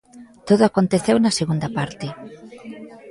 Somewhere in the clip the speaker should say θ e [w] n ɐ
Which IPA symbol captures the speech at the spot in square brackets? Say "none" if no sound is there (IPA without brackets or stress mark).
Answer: w